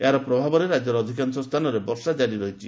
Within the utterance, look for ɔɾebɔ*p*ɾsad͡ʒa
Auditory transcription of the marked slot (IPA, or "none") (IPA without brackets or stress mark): none